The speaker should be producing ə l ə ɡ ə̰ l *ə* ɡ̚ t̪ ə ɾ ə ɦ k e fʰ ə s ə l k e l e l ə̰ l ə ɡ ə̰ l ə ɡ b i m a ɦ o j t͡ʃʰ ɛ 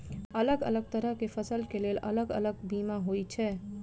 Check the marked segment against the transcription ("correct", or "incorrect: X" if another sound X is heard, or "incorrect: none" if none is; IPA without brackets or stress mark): correct